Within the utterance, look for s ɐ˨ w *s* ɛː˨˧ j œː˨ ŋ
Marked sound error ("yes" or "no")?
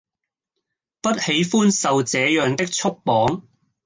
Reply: yes